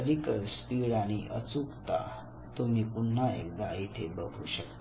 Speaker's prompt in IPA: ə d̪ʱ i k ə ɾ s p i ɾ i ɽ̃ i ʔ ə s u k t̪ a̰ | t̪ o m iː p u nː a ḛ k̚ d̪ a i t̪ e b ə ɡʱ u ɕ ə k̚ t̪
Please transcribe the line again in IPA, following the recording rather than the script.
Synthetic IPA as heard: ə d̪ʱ i k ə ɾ s p i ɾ a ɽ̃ i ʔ ə t͡s u k t̪ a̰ | t̪ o m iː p u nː a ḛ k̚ d̪ a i t̪ʰ e b ə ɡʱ u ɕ ə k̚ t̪